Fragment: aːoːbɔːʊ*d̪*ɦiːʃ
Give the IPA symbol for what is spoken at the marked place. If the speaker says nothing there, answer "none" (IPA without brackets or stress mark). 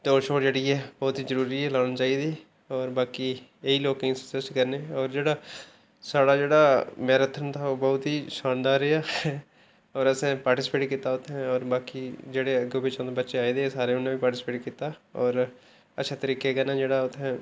t̪